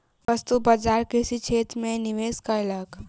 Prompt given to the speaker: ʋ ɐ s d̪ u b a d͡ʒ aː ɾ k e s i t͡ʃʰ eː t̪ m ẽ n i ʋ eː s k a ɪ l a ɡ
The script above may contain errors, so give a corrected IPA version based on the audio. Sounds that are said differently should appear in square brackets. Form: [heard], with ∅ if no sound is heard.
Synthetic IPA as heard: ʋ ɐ s [t̪] u b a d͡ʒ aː ɾ k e s i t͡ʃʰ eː t̪ m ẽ n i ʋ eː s k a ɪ l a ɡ